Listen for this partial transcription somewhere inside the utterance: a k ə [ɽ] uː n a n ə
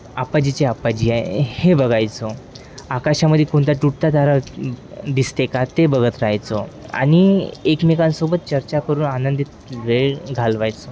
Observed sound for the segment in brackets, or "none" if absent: ɾ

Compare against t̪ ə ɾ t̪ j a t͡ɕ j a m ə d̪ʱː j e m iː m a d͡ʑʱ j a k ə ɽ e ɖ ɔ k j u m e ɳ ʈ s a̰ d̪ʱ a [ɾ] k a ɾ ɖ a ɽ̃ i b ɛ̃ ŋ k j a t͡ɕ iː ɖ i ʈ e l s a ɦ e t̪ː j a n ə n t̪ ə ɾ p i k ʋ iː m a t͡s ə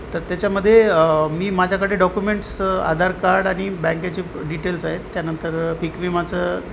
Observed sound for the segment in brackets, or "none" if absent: ɾ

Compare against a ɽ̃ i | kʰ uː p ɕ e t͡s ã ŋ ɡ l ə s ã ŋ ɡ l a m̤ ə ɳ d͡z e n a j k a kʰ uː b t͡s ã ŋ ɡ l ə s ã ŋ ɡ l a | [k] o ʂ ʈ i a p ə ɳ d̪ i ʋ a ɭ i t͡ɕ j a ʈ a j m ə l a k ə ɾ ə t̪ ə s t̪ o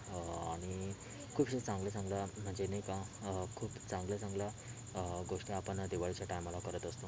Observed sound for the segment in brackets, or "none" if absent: ɡ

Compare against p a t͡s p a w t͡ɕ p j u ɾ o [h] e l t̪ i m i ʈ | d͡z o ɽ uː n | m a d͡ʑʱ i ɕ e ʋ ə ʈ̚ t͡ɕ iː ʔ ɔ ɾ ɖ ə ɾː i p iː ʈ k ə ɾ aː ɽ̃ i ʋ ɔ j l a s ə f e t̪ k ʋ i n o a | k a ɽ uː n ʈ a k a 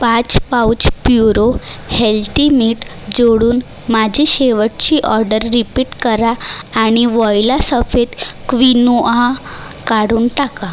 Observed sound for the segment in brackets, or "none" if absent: h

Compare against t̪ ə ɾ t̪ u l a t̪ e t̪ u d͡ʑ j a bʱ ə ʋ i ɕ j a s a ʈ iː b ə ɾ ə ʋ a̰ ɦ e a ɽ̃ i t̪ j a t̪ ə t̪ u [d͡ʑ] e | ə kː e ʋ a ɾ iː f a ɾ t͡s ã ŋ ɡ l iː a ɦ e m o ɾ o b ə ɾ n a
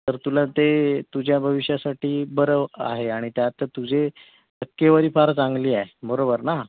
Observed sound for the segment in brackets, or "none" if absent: d͡ʑ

